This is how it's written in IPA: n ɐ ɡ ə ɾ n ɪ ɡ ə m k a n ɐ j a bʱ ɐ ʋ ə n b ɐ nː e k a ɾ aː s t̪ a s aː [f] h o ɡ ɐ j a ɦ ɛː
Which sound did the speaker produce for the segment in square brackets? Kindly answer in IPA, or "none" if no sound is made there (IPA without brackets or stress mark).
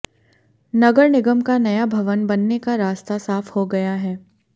f